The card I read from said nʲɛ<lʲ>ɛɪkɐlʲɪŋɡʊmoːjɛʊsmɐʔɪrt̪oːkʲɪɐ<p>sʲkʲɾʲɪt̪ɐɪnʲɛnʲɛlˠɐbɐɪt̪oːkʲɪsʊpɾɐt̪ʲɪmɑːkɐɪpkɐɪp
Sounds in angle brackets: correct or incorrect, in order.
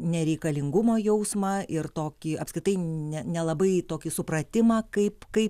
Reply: incorrect: ɾʲ, correct

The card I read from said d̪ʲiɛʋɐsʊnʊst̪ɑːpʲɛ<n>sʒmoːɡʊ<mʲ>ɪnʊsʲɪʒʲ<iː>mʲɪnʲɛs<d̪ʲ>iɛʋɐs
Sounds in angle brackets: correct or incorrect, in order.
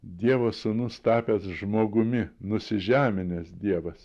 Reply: incorrect: none, correct, incorrect: æː, correct

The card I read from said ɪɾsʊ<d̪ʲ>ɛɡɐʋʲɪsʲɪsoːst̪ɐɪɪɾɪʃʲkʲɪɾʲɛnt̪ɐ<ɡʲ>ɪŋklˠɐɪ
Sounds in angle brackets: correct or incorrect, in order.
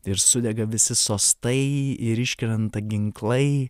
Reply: correct, correct

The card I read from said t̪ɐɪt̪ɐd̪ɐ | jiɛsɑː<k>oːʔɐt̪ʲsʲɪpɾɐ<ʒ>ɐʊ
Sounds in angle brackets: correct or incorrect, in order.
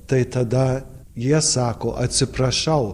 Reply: correct, incorrect: ʃ

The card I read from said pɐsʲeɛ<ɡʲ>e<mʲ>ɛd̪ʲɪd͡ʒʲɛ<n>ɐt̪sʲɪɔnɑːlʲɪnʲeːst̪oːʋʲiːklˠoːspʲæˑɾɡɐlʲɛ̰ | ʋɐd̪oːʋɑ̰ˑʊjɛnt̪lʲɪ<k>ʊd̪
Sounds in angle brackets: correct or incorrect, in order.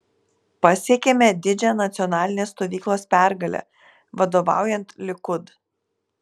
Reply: incorrect: kʲ, correct, correct, correct

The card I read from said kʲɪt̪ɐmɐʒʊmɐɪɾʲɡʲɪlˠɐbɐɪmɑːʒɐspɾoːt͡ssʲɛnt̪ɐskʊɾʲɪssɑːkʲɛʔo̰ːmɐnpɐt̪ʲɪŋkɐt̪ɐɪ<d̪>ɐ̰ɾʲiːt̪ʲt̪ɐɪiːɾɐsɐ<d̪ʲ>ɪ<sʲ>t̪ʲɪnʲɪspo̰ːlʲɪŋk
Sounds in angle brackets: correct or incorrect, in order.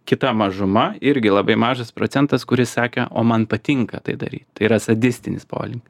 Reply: correct, correct, correct

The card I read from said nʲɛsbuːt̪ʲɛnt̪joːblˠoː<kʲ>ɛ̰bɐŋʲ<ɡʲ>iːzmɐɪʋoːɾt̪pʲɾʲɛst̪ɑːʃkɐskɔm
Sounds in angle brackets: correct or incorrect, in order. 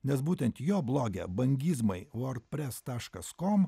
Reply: incorrect: ɡʲ, correct

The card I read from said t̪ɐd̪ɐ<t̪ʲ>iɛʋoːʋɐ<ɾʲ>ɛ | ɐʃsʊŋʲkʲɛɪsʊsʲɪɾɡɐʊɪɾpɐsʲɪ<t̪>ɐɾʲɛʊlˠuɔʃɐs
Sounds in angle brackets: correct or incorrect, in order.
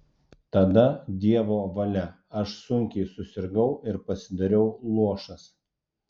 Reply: incorrect: d̪ʲ, incorrect: lʲ, incorrect: d̪

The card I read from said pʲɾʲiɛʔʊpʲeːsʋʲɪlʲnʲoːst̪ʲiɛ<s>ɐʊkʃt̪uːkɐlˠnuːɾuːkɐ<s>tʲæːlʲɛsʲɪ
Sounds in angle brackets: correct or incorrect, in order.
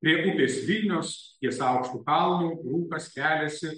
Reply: correct, correct

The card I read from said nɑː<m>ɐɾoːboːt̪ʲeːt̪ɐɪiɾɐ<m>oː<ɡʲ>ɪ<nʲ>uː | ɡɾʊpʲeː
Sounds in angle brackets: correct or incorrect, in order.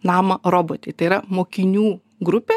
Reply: correct, correct, incorrect: kʲ, correct

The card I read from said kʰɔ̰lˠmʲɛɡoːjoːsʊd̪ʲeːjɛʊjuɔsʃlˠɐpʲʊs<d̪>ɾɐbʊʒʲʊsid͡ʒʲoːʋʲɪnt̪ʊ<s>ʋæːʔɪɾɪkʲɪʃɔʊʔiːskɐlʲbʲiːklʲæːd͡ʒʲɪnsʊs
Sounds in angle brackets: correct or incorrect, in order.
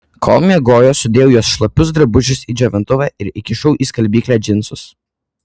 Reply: correct, incorrect: none

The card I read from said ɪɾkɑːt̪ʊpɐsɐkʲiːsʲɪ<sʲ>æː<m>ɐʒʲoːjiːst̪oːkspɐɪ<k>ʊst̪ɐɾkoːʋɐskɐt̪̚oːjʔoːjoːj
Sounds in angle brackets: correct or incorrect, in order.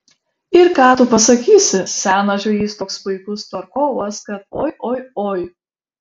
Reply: correct, incorrect: n, correct

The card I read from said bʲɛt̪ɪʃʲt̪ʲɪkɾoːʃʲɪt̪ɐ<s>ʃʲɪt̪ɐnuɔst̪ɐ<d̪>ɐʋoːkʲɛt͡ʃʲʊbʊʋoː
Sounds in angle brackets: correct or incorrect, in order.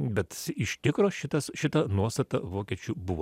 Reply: correct, incorrect: t̪

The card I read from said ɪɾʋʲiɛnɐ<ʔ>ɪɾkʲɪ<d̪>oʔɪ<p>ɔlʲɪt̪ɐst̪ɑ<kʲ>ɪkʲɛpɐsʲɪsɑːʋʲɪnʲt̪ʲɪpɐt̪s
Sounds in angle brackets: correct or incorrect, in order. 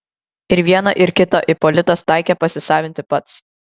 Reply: correct, incorrect: t̪, correct, incorrect: none

